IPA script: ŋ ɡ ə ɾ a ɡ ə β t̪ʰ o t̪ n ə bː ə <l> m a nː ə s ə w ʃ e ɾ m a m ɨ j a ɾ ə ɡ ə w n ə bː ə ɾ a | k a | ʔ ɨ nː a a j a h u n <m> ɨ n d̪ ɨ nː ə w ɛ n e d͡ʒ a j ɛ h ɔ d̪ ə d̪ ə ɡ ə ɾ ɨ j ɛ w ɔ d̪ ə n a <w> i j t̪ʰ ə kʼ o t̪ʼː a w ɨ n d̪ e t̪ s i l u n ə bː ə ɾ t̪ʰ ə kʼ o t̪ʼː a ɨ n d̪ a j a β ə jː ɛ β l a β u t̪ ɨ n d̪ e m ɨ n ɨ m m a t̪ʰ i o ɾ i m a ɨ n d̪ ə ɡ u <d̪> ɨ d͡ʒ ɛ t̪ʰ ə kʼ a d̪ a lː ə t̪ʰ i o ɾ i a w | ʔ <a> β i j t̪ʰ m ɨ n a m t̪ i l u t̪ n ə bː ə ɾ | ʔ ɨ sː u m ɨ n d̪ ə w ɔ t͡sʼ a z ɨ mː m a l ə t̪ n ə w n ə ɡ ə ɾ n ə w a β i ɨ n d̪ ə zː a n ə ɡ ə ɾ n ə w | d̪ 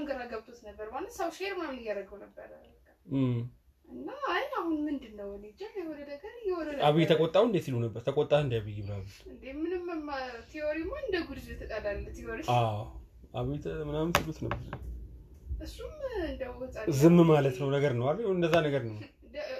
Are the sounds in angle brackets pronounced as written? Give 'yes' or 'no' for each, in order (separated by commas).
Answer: no, yes, no, yes, yes